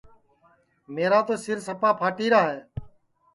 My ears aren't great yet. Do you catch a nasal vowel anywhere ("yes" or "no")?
no